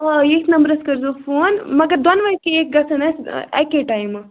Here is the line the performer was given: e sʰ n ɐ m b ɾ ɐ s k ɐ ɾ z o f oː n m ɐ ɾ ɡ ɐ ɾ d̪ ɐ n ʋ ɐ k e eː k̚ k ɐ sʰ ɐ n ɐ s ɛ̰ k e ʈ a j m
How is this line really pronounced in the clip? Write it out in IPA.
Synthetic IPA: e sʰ n ɐ m b ɾ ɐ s k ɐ ɾ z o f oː n m ɐ ɡ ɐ ɾ d̪ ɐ n ʋ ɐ k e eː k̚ ɡ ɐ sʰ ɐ n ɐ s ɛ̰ k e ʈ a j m